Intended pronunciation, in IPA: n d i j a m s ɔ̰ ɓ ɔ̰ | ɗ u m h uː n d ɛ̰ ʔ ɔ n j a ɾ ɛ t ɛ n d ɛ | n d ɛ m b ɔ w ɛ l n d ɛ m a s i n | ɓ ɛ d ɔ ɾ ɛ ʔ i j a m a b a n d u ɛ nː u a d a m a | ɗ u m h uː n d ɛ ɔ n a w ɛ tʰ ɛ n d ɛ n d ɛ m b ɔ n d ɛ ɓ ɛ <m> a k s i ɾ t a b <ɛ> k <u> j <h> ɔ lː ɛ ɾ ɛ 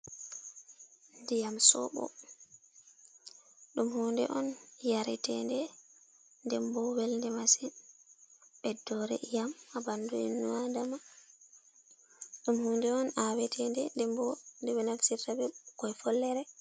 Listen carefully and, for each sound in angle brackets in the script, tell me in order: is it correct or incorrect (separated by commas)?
incorrect, correct, incorrect, incorrect